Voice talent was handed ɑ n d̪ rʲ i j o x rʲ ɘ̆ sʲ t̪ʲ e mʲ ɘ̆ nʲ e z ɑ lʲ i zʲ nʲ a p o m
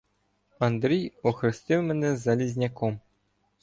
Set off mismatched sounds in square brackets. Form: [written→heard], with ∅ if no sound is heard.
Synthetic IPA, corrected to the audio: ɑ n d̪ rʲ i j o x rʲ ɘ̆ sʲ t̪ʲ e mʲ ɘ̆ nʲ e z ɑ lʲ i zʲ nʲ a [p→k] o m